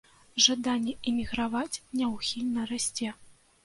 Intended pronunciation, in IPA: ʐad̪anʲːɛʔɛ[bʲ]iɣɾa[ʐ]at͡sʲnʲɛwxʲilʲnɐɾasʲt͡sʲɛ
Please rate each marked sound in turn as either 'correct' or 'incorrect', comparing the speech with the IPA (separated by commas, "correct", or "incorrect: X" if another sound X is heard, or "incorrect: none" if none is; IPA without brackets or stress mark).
incorrect: mʲ, incorrect: v